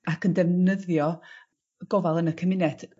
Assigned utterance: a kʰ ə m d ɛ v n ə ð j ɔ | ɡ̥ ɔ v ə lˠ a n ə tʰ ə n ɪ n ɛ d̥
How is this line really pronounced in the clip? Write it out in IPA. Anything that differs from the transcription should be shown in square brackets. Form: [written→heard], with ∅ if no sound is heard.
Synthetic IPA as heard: a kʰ ə [m→n] d ɛ v n ə ð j ɔ | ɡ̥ ɔ v [ə→a] lˠ [a→ə] n ə [tʰ→kʰ] ə [n→m] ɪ n ɛ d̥